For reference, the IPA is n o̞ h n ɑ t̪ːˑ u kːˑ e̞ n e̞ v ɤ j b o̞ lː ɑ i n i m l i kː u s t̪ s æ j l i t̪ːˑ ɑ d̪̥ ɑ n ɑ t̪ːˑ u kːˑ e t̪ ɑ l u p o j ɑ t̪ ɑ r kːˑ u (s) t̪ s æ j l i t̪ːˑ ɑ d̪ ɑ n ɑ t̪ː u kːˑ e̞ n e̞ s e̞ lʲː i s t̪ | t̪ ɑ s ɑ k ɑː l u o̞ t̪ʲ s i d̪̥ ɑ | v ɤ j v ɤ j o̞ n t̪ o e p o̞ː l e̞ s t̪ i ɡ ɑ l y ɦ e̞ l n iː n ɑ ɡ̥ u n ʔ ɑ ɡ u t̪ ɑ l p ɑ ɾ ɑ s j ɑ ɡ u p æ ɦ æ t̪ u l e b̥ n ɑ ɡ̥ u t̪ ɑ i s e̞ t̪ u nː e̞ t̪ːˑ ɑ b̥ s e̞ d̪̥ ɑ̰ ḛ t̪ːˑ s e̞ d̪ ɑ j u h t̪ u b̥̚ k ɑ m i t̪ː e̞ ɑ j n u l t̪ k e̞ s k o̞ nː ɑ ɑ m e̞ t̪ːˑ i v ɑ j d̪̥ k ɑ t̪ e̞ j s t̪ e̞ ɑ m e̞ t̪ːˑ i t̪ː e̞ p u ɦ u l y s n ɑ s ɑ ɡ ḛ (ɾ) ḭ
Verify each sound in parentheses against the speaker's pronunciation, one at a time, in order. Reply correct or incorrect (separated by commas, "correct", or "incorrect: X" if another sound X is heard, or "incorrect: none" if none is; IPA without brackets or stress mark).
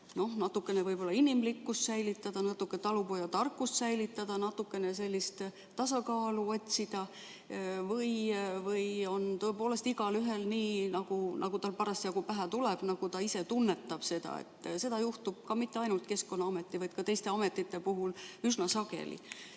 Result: correct, incorrect: l